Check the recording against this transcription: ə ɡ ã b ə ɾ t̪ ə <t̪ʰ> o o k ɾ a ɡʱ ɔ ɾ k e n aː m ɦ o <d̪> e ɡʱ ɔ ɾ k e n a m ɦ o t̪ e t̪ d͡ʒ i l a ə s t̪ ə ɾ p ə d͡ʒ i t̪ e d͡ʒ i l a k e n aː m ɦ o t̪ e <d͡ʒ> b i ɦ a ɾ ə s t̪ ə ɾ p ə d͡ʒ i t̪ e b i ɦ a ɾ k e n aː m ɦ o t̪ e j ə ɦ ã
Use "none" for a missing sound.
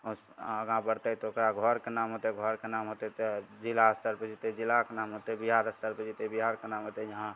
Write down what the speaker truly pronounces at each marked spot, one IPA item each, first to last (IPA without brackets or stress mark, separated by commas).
t̪, t̪, none